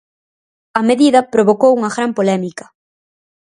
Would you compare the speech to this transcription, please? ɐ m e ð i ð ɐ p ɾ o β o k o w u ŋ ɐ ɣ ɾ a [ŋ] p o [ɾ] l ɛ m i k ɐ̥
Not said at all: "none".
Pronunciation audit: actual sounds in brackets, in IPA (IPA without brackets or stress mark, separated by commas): m, none